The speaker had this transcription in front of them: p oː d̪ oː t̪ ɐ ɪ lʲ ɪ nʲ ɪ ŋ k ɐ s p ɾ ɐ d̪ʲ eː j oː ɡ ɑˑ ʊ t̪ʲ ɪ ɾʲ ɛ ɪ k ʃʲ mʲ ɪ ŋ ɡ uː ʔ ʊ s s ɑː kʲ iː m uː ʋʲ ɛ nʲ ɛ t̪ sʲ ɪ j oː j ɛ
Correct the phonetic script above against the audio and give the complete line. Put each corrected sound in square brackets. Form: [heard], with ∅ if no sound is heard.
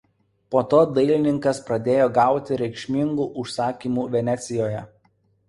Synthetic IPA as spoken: p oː [t̪] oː [d̪] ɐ ɪ lʲ ɪ nʲ ɪ ŋ k ɐ s p ɾ ɐ d̪ʲ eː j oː ɡ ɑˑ ʊ t̪ʲ ɪ ɾʲ ɛ ɪ k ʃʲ mʲ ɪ ŋ ɡ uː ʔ ʊ [ʃ] s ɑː kʲ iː m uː ʋʲ ɛ nʲ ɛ t̪ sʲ ɪ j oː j ɛ

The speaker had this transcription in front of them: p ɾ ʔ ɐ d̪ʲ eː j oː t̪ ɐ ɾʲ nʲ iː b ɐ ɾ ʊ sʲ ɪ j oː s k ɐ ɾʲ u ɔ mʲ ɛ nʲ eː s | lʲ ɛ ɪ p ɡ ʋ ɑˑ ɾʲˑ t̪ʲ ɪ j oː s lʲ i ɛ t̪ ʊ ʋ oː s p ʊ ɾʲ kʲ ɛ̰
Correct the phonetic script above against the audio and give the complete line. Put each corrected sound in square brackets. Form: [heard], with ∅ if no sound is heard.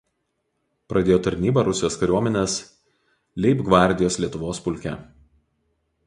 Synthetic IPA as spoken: p ɾ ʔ ɐ d̪ʲ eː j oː t̪ ɐ ɾʲ nʲ iː b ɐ ɾ ʊ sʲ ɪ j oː s k ɐ ɾʲ u ɔ mʲ ɛ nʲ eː s | lʲ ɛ ɪ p ɡ ʋ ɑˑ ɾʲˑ [d̪ʲ] ɪ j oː s lʲ i ɛ t̪ ʊ ʋ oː s p ʊ [lʲ] kʲ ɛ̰

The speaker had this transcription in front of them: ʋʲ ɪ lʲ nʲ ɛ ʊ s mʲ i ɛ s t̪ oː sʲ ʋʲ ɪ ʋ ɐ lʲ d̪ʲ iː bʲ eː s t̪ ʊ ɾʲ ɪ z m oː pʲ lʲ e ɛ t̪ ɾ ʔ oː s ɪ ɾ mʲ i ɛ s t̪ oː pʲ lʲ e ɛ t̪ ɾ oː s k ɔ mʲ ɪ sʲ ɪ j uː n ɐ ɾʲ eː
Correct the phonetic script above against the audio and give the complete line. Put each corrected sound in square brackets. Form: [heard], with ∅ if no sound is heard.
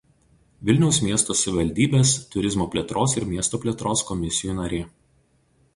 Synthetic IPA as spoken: ʋʲ ɪ lʲ nʲ ɛ ʊ s mʲ i ɛ s t̪ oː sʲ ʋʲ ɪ ʋ ɐ lʲ d̪ʲ iː bʲ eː s t̪ ʊ ɾʲ ɪ z m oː pʲ lʲ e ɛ t̪ ɾ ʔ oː s ɪ ɾ mʲ i ɛ s t̪ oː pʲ lʲ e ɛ t̪ ɾ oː s k ɔ mʲ ɪ sʲ ɪ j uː n ɐ ɾʲ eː

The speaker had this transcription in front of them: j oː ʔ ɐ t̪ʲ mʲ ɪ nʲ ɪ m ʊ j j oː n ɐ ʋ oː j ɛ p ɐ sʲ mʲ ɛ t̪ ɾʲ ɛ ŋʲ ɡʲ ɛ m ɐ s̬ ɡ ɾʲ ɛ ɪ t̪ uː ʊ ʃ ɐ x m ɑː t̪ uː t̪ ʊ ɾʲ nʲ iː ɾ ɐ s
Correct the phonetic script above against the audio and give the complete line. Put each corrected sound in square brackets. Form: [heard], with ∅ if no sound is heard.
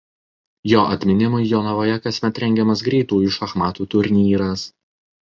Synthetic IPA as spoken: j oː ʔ ɐ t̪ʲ mʲ ɪ nʲ ɪ m ʊ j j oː n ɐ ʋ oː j ɛ [k] ɐ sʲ mʲ ɛ t̪ ɾʲ ɛ ŋʲ ɡʲ ɛ m ɐ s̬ ɡ ɾʲ ɛ ɪ t̪ uː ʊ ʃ ɐ x m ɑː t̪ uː t̪ ʊ ɾʲ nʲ iː ɾ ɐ s

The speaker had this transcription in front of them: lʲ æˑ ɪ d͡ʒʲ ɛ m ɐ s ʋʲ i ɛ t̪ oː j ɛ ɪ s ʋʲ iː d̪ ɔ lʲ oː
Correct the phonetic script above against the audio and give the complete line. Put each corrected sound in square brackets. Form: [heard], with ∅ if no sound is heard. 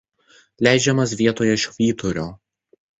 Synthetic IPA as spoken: lʲ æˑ ɪ d͡ʒʲ ɛ m ɐ s ʋʲ i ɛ t̪ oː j ɛ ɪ [ʃ] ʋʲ iː [t̪] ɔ [ɾʲ] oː

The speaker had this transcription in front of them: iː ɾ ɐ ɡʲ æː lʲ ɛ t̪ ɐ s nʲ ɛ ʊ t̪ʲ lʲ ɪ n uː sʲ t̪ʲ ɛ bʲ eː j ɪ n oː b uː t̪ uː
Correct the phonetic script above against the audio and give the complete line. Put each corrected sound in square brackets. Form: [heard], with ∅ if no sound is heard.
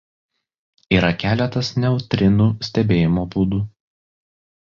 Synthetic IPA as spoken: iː ɾ ɐ [kʲ] æː lʲ ɛ t̪ ɐ s nʲ ɛ ʊ t̪ʲ [ɾʲ] ɪ n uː sʲ t̪ʲ ɛ bʲ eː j ɪ [m] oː b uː [d̪] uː

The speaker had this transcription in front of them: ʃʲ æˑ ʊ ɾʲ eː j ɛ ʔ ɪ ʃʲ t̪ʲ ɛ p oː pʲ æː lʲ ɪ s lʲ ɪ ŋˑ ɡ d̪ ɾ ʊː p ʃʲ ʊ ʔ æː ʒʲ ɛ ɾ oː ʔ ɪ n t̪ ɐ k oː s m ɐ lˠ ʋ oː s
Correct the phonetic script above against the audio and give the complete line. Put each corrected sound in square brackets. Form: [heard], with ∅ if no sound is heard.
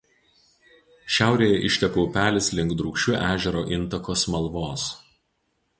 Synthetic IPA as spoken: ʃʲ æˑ ʊ ɾʲ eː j ɛ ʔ ɪ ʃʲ t̪ʲ ɛ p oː pʲ æː lʲ ɪ s lʲ ɪ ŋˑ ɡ d̪ ɾ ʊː [k] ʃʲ ʊ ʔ æː ʒʲ ɛ ɾ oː ʔ ɪ n t̪ ɐ k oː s m ɐ lˠ ʋ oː s

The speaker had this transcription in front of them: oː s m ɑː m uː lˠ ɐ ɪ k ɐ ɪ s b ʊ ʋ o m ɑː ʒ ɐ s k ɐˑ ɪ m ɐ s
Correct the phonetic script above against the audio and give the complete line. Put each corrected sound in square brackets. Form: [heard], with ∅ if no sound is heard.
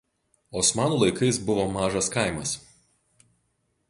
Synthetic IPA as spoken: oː s m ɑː [n] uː lˠ ɐ ɪ k ɐ ɪ s b ʊ ʋ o m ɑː ʒ ɐ s k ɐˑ ɪ m ɐ s

